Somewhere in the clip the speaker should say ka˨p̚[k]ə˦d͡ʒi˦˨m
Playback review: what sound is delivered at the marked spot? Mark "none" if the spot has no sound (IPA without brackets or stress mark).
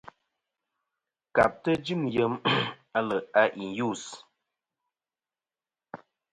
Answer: t